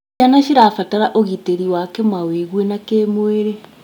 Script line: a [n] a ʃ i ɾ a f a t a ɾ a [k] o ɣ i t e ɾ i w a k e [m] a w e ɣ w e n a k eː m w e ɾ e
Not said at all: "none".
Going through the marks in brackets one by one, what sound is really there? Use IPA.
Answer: n, ʔ, m

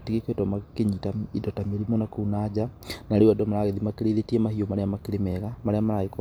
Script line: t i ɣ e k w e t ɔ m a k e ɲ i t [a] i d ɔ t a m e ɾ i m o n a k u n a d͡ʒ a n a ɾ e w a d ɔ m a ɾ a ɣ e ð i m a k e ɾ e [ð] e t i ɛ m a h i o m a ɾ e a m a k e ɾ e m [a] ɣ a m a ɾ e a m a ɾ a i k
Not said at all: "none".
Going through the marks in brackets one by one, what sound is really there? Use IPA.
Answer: a, ð, ɛ

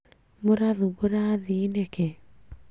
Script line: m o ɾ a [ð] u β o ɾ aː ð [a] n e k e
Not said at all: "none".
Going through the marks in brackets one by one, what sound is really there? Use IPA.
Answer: ð, i

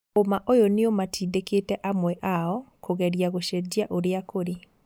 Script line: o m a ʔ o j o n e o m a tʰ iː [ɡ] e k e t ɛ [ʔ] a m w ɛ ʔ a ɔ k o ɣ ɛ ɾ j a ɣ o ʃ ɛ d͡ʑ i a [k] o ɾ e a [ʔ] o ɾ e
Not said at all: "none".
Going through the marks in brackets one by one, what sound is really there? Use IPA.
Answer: d, ʔ, ʔ, k

